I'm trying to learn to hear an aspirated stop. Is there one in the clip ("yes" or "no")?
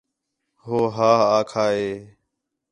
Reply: yes